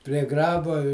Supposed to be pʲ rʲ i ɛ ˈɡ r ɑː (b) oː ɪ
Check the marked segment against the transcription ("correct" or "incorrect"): correct